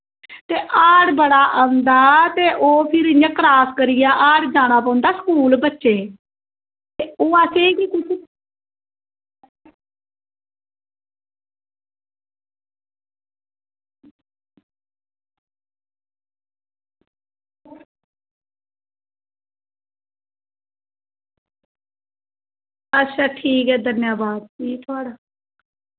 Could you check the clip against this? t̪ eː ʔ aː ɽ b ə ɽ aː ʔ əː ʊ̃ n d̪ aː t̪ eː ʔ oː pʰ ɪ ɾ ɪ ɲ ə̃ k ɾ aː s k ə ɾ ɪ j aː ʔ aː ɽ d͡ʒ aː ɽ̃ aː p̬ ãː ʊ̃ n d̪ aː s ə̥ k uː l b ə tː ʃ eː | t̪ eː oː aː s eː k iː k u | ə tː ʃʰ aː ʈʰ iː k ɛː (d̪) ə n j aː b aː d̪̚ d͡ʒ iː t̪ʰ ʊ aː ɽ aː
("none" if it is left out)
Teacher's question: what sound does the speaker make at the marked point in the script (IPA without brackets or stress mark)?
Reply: d̪